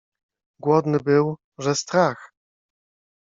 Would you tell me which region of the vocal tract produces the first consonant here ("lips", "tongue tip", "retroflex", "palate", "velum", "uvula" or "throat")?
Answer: velum